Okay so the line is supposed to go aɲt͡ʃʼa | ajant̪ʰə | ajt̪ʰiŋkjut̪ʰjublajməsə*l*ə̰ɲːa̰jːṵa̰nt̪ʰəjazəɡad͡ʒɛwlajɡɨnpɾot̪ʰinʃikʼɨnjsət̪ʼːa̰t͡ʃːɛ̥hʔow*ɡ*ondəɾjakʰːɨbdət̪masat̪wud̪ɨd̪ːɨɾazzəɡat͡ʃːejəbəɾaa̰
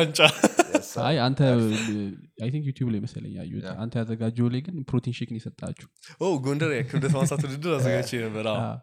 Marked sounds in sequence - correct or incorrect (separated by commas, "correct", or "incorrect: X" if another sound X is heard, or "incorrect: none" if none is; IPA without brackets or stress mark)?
correct, correct